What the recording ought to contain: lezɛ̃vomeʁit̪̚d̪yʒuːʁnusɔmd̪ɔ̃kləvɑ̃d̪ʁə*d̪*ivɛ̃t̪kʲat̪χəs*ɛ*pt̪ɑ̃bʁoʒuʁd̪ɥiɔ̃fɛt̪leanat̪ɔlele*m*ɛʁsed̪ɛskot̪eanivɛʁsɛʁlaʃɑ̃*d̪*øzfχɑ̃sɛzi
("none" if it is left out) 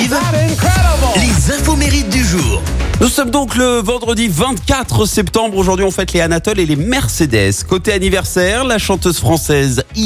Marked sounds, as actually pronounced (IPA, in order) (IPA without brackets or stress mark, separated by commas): d̪, ɛ, m, t̪